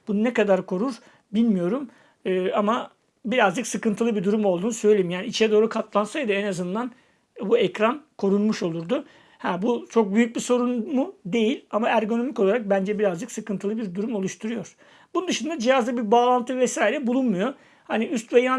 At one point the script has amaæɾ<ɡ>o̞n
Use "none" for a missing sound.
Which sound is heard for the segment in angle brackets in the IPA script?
ɡ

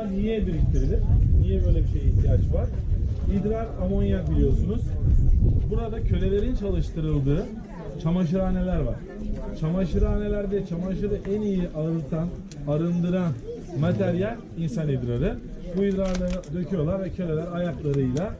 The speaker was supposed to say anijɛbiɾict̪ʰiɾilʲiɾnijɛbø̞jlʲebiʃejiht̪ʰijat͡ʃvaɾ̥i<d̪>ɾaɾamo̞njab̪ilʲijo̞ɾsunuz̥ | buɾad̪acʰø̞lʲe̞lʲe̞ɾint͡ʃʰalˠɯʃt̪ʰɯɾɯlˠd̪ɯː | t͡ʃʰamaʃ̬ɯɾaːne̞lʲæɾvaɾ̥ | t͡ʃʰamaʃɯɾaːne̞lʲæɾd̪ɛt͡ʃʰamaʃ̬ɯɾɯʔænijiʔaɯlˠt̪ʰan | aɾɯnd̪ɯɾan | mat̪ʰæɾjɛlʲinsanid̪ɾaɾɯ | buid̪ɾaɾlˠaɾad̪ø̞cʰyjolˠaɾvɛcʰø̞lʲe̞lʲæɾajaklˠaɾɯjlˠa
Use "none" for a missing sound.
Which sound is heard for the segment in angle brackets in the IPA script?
d̪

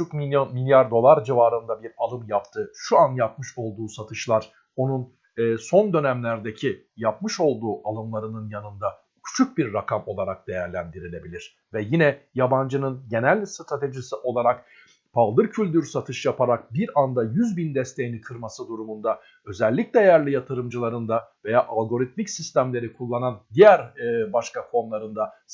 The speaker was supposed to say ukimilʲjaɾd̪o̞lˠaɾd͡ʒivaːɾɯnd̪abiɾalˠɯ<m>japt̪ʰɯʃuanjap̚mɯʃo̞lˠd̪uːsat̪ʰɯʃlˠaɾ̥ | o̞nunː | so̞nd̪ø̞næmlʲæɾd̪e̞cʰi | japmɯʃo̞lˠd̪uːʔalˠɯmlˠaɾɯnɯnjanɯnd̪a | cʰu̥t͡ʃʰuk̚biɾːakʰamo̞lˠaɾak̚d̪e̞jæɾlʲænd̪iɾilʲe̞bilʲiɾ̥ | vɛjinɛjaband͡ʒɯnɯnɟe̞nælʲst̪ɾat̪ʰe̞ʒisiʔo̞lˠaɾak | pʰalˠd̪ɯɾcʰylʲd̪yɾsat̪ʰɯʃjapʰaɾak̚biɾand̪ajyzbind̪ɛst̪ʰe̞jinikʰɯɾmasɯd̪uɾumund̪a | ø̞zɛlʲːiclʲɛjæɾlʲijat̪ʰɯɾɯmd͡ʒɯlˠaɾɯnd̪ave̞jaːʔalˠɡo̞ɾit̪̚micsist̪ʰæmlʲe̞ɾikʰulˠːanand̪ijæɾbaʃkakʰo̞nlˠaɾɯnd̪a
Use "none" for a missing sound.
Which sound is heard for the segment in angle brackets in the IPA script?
m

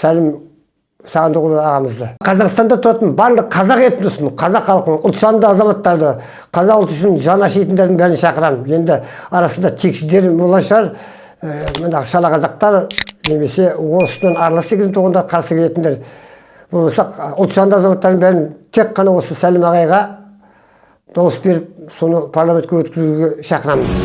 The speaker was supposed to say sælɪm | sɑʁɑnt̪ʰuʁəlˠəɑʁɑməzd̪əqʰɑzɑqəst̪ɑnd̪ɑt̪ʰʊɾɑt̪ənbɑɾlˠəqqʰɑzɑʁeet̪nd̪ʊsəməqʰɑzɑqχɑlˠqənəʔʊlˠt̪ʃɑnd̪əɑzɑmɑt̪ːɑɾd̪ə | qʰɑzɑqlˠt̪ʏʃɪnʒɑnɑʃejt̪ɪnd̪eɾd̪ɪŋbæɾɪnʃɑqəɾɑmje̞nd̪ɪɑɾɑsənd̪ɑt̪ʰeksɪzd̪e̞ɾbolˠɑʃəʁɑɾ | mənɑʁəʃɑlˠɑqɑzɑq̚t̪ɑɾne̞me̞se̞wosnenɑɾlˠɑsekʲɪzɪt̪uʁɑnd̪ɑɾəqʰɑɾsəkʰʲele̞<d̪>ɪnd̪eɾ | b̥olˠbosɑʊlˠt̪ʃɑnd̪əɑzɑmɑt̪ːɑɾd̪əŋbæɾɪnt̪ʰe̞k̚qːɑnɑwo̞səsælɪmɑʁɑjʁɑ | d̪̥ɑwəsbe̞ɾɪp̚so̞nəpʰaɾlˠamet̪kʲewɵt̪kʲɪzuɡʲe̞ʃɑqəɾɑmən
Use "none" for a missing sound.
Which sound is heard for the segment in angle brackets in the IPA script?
t̪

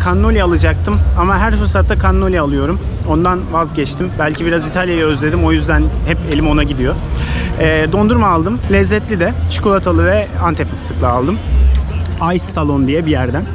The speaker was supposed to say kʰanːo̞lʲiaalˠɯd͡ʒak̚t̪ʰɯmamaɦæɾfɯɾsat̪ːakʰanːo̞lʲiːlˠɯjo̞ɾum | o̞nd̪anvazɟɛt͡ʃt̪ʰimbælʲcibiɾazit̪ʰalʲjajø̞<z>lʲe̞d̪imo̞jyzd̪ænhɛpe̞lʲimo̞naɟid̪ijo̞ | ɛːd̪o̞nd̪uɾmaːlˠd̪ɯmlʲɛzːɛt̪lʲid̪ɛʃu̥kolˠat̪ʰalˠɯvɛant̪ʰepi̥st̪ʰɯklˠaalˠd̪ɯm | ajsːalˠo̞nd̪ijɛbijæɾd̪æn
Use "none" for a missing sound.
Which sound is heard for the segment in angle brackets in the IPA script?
z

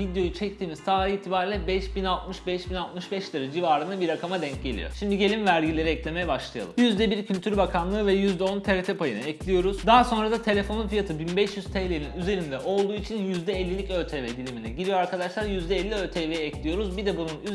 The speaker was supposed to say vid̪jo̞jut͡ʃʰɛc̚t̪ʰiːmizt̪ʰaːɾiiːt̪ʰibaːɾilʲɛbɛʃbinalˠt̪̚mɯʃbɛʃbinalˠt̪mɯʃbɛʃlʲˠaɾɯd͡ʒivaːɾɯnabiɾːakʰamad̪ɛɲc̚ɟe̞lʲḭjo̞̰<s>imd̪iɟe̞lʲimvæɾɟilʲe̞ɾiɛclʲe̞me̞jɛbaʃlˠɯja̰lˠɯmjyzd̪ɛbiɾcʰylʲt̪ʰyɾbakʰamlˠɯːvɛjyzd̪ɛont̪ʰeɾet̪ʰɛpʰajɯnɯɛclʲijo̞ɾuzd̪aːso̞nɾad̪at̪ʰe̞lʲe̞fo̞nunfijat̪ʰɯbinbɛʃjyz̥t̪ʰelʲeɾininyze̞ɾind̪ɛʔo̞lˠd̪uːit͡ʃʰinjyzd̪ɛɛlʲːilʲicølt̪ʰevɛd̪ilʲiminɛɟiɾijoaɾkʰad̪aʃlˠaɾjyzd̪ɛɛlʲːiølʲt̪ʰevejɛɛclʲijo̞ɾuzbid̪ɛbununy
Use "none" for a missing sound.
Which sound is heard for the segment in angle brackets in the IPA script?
ʃ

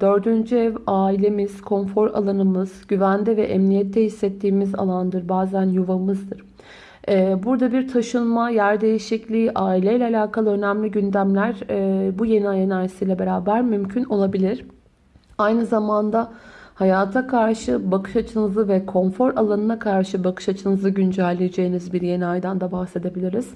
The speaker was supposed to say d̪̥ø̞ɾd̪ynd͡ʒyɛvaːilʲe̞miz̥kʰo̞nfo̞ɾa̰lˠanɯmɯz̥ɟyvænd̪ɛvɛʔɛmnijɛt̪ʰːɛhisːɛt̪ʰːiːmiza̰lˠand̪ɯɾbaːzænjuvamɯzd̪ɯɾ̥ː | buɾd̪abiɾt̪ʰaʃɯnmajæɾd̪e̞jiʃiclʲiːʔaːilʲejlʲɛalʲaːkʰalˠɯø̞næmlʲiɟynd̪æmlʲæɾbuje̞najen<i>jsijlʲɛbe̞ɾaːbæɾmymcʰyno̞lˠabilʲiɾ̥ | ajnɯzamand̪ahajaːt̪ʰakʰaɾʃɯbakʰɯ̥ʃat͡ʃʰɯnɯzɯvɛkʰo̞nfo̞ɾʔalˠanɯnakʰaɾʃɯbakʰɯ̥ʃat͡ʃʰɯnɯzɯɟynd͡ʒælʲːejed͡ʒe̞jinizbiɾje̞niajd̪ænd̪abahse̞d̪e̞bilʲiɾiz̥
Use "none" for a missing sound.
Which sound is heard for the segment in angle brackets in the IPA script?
a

